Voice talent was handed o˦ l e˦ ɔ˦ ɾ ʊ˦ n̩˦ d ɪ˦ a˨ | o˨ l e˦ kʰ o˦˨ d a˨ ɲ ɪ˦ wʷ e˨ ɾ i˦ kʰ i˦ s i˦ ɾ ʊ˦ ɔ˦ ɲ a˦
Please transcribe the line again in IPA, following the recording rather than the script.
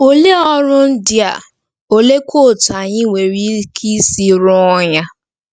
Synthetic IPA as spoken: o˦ l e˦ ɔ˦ ɾ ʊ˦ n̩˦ d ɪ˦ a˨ | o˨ l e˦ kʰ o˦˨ t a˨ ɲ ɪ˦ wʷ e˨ ɾ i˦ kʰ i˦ s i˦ ɾ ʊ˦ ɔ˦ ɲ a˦